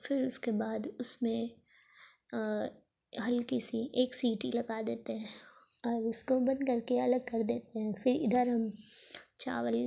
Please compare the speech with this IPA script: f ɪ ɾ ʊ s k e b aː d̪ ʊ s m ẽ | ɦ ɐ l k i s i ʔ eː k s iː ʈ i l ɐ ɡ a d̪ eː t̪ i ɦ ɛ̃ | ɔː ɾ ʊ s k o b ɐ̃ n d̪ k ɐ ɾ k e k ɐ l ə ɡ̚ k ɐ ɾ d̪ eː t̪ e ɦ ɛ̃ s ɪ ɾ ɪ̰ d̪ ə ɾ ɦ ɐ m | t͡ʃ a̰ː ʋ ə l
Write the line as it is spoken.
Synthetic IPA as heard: f ɪ ɾ ʊ s k e b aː d̪ ʊ s m ẽ | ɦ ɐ l k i s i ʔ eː k s iː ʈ i l ɐ ɡ a d̪ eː t̪ e ɦ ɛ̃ | ɔː ɾ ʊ s k o b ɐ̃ n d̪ k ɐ ɾ k e ɐ l ə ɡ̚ k ɐ ɾ d̪ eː t̪ e ɦ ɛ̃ f ɪ ɾ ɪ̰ d̪ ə ɾ ɦ ɐ m | t͡ʃ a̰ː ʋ ə l